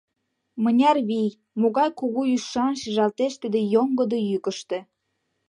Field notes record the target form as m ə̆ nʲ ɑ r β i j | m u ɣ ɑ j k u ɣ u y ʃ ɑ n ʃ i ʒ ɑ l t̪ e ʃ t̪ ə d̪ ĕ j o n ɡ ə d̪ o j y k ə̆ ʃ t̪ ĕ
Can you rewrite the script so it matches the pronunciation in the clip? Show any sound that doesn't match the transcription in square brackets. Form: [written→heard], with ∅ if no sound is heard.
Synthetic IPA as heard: m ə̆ nʲ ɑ r β i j | m [u→o] ɣ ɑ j k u ɣ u y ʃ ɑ n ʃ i ʒ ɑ l t̪ e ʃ t̪ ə d̪ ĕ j o [n→ŋ] ɡ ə d̪ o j y k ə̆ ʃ t̪ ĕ